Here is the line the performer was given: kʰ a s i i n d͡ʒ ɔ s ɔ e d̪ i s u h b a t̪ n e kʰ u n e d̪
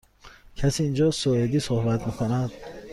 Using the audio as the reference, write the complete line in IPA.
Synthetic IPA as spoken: kʰ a s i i n d͡ʒ ɔ s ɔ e d̪ i s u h b a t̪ m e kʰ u n a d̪